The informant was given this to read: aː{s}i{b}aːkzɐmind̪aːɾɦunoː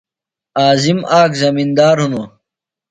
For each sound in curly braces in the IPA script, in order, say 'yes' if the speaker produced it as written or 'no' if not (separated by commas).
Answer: no, no